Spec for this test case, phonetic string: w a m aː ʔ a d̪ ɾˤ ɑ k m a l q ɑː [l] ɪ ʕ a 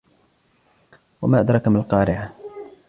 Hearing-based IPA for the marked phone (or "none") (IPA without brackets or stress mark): ɾ